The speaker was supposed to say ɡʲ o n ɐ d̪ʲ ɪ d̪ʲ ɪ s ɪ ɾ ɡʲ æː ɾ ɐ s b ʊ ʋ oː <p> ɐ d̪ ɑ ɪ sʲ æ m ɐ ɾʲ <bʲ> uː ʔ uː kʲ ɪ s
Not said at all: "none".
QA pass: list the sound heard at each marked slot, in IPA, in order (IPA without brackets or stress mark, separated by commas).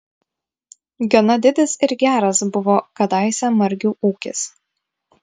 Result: k, ɡʲ